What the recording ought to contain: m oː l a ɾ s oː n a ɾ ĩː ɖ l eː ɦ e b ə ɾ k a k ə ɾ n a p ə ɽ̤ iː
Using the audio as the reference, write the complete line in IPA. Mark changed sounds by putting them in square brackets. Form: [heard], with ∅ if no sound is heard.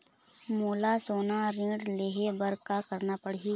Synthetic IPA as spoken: m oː l a [∅] s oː n a ɾ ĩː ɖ l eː ɦ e b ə ɾ k a k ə ɾ n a p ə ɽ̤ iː